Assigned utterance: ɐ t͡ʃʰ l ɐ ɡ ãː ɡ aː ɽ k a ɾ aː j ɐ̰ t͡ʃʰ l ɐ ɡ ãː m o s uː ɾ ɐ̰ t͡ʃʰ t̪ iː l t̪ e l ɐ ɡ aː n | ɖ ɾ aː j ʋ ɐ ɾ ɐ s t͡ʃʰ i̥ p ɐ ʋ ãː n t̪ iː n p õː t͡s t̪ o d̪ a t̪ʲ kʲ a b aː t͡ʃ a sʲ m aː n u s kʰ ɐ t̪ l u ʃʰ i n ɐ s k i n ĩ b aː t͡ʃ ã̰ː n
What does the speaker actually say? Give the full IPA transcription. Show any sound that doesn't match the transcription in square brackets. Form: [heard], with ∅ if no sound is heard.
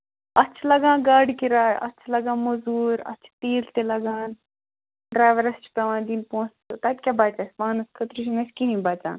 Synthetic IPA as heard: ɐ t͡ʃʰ l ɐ ɡ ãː ɡ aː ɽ k [i] ɾ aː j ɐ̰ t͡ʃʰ l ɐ ɡ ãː m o [z] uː ɾ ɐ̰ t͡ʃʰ t̪ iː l t̪ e l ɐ ɡ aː n | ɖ ɾ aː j ʋ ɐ ɾ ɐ s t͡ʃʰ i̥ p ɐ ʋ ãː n [d̪] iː n p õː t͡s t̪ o [t̪] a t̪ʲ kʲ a b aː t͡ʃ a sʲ m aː n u s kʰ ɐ t̪ [ɾ] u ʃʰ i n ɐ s k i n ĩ b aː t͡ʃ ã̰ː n